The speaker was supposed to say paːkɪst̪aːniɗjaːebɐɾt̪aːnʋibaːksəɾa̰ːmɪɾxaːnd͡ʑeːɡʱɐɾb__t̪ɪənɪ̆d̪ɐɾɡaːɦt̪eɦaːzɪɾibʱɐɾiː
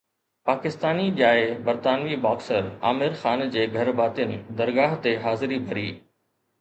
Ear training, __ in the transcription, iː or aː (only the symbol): aː